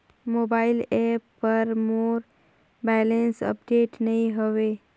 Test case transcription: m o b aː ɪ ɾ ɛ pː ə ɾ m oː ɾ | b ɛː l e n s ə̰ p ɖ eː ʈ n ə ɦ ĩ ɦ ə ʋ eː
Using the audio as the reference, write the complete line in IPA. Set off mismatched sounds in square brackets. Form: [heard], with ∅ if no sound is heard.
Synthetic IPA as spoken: m o b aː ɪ [l] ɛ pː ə ɾ m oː ɾ | b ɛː l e n s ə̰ p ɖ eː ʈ n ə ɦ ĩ ɦ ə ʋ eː